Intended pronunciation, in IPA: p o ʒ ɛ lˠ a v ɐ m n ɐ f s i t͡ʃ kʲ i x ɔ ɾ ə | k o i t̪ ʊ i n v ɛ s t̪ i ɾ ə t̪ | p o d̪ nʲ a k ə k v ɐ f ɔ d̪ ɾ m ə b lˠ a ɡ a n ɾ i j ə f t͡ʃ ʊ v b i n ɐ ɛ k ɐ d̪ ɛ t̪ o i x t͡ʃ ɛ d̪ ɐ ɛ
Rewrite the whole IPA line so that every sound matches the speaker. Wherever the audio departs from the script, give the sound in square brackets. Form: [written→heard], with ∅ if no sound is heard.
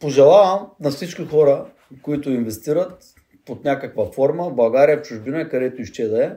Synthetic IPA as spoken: p o ʒ ɛ lˠ a v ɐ m n ɐ f s i t͡ʃ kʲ i x ɔ ɾ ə | k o i t̪ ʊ i n v ɛ s t̪ i ɾ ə t̪ | p o [d̪→t̪] nʲ a k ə k v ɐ f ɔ [d̪→∅] ɾ m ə b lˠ [a→ɐ] ɡ a [n→∅] ɾ i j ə f t͡ʃ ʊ [v→ʒ] b i n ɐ ɛ k ɐ d̪ ɛ t̪ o i [x→ʃ] t͡ʃ ɛ d̪ ɐ ɛ